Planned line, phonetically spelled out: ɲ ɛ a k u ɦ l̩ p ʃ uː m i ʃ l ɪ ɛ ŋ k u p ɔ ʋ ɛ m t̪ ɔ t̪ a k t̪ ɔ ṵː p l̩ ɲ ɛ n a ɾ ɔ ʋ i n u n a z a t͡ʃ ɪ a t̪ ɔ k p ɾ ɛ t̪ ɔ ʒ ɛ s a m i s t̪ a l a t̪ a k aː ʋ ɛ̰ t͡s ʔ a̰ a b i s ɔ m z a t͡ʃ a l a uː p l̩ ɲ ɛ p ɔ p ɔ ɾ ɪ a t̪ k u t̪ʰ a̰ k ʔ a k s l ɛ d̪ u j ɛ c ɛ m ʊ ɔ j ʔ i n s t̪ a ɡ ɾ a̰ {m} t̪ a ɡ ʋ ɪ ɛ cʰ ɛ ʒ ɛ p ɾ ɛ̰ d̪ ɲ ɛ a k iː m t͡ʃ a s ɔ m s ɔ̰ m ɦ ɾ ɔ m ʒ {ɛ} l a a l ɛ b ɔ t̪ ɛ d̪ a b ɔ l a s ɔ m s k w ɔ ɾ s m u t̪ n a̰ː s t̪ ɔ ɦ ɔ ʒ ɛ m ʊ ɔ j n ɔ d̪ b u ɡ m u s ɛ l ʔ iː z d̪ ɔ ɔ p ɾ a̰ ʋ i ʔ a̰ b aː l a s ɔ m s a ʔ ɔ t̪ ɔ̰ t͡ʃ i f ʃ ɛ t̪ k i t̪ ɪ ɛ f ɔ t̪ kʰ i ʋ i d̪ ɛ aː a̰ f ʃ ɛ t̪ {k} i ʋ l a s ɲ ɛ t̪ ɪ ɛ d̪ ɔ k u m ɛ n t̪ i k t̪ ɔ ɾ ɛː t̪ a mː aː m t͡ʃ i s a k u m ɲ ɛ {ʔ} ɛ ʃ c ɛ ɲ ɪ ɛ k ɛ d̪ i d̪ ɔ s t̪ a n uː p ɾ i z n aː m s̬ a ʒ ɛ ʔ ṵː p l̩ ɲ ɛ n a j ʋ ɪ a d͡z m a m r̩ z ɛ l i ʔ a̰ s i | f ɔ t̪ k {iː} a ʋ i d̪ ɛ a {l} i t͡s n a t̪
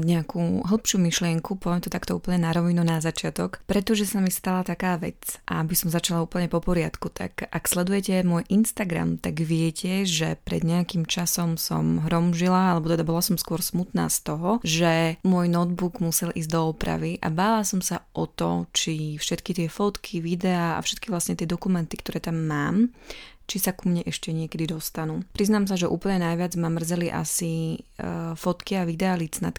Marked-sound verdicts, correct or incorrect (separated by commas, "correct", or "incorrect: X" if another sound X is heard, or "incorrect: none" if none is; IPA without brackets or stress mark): correct, incorrect: i, correct, correct, incorrect: i, correct